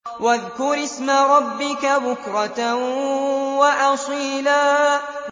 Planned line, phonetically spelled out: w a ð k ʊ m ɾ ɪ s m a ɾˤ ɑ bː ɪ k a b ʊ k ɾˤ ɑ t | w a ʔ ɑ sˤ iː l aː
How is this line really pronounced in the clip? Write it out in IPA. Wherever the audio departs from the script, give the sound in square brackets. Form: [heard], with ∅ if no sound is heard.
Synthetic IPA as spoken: w a ð k ʊ [∅] ɾ ɪ s m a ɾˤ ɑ bː ɪ k a b ʊ k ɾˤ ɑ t | w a ʔ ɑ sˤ iː l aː

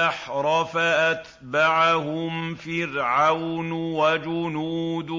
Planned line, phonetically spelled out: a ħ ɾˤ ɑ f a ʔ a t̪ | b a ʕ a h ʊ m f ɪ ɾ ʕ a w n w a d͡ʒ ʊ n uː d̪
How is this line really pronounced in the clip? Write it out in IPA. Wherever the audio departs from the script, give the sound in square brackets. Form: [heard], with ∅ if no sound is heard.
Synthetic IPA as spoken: a ħ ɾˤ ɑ f a ʔ a t̪ | b a ʕ a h ʊ m f ɪ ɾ ʕ a w n w a d͡ʒ ʊ n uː d̪

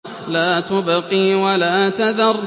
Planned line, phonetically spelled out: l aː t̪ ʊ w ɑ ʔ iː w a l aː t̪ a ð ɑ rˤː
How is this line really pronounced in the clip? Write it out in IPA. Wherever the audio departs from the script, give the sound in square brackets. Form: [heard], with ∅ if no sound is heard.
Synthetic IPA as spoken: l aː t̪ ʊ [b] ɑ [q] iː w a l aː t̪ a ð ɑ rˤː

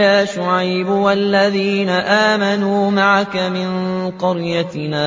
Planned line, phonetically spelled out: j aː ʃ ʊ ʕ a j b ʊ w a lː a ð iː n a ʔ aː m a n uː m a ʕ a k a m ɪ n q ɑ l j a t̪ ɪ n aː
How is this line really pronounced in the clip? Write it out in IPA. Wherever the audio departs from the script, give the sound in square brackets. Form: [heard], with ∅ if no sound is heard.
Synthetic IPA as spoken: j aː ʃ ʊ ʕ a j b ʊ w a lː a ð iː n a ʔ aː m a n uː m a ʕ a k a m ɪ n q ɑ [ɾ] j a t̪ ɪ n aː

